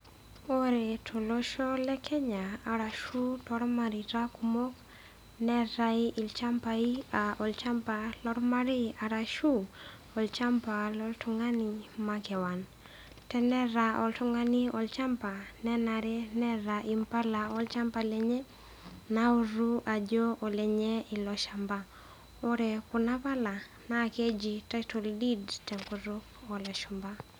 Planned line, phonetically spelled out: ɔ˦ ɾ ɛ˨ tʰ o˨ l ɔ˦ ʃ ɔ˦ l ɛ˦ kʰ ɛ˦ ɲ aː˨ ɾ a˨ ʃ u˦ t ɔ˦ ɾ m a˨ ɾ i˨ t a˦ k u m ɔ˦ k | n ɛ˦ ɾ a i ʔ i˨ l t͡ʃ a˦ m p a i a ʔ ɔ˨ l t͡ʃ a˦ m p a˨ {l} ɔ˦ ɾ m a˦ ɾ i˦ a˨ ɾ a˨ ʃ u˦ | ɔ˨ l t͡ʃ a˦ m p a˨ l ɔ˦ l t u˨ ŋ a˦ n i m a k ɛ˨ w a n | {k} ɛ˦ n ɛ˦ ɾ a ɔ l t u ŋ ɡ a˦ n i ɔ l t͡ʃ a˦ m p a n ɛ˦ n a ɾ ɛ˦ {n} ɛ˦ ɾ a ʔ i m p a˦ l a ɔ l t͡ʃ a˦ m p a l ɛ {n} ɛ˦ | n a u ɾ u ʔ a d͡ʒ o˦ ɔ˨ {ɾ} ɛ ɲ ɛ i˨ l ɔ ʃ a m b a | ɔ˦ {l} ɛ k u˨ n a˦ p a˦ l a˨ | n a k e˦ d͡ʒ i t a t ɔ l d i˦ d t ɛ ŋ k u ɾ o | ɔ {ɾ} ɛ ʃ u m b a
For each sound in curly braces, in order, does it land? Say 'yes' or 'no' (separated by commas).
yes, no, yes, no, no, no, no